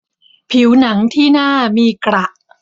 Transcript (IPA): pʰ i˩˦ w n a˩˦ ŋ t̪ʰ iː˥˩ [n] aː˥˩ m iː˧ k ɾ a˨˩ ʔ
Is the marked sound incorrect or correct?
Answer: correct